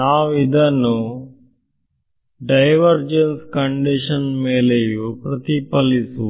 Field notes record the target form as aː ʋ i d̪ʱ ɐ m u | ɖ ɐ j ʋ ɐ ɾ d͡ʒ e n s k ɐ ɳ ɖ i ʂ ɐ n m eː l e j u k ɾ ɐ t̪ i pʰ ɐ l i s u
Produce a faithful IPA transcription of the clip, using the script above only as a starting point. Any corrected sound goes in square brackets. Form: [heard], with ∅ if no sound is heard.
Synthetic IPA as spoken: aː ʋ i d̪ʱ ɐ [n] u | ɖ ɐ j ʋ ɐ ɾ d͡ʒ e n s k ɐ ɳ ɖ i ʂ ɐ n m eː l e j u [p] ɾ ɐ t̪ i [p] ɐ l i s u

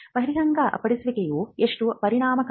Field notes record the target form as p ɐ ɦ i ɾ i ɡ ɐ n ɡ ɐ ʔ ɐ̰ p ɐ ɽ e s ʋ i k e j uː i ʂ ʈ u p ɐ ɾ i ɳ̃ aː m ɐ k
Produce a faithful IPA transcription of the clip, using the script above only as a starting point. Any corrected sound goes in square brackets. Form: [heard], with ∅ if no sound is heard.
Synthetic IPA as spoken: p ɐ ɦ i ɾ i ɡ ɐ [ŋ] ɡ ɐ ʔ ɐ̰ p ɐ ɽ [i] s ʋ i k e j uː [e] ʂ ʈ u p ɐ ɾ i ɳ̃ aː m ɐ k

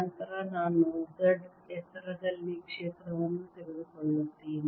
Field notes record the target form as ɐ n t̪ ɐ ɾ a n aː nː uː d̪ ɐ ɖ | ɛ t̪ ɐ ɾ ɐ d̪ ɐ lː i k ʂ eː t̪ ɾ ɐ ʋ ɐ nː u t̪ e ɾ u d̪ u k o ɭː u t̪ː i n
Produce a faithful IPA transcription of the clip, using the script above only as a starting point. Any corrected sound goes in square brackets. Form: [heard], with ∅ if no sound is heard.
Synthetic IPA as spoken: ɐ n t̪ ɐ ɾ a n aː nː [u] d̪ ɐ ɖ | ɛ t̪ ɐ ɾ ɐ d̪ ɐ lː i k ʂ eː t̪ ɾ ɐ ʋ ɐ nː u t̪ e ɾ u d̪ u k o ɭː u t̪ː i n

